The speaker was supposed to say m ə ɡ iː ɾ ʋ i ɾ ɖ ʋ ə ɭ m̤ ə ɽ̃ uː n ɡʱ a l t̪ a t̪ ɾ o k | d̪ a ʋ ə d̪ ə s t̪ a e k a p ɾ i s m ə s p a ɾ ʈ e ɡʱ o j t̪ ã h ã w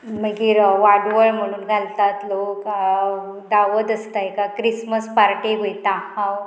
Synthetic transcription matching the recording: m ə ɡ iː ɾ ʋ a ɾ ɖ ʋ ə ɭ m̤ ə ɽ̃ uː n ɡʱ a l t̪ a t̪ l o k | d̪ a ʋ ə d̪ ə s t̪ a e k a k ɾ i s m ə s p a ɾ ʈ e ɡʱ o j t̪ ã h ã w